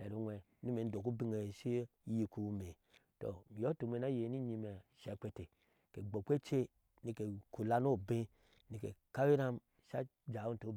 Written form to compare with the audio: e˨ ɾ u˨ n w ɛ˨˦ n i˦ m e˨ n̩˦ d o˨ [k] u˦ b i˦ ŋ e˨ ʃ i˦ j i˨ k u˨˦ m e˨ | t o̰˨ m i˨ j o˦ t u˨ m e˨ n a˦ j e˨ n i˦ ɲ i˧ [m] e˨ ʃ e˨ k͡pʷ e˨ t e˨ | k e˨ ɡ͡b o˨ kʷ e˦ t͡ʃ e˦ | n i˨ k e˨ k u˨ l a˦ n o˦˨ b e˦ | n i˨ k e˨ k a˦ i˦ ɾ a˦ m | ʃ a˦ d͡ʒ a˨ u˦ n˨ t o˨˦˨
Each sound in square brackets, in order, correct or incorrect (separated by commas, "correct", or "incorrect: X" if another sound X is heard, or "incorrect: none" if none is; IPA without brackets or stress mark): correct, correct